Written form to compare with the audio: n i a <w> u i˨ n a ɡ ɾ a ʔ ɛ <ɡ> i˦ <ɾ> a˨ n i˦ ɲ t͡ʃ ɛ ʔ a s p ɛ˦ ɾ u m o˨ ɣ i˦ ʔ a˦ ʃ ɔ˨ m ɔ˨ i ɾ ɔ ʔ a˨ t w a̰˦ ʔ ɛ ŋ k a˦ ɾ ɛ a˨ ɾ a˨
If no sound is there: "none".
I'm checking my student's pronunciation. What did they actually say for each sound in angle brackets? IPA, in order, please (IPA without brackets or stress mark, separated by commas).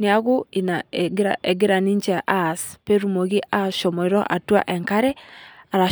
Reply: ɣ, ɡ, ɾ